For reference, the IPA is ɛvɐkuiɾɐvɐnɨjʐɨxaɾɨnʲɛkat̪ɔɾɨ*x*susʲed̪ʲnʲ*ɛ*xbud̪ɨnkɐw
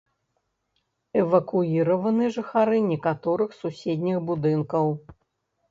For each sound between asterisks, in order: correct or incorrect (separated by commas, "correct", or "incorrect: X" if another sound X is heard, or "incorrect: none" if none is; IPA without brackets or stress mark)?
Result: correct, incorrect: i